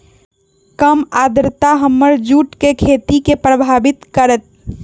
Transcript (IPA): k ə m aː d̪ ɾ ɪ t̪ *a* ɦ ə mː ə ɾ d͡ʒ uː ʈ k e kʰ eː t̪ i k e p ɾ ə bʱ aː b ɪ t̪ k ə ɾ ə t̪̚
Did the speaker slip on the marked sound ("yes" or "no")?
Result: no